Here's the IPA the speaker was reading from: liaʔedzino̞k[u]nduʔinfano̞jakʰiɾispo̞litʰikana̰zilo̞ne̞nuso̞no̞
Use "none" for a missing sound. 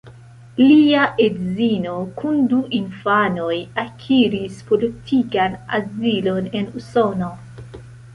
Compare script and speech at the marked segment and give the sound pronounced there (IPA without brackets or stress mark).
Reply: u